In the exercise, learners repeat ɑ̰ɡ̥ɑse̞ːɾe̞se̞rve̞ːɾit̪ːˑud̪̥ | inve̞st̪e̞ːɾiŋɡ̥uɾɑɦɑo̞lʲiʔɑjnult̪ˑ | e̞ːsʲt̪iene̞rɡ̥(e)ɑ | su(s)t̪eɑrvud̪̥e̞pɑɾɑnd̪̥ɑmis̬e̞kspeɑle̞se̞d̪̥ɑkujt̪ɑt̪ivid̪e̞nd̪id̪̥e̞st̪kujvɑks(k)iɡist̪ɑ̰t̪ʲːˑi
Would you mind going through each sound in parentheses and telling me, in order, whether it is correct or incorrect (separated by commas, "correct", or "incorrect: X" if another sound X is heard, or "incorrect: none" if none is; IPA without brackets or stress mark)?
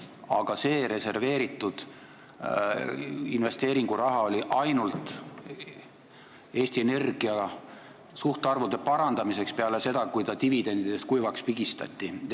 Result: incorrect: i, incorrect: h, incorrect: p